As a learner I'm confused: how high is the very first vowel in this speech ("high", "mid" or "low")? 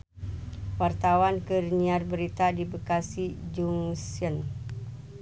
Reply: low